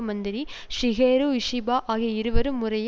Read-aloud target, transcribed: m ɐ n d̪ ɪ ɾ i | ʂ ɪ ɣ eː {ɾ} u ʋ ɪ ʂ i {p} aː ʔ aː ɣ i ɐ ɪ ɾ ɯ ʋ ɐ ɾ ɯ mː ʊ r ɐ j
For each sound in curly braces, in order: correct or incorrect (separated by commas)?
correct, incorrect